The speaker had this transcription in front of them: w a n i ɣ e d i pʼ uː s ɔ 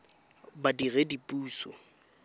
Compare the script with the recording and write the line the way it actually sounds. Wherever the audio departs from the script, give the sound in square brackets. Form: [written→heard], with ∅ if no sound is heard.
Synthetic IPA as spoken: [w→b] a [n→d] i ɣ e d i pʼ uː s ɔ